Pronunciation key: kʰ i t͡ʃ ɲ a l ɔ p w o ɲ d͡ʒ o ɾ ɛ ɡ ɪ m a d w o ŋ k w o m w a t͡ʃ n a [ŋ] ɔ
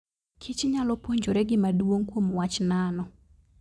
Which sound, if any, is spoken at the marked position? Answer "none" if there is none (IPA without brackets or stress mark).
n